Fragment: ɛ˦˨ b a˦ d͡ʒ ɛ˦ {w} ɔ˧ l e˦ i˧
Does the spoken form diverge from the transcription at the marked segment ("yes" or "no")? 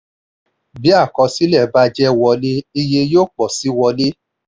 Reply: no